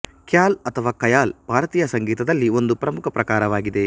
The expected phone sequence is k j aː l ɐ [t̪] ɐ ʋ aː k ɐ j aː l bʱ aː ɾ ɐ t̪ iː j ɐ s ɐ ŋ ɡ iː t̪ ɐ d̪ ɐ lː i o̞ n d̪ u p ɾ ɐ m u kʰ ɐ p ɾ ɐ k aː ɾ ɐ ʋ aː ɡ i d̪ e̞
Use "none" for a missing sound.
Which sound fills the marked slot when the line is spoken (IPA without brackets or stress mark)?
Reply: t̪ʰ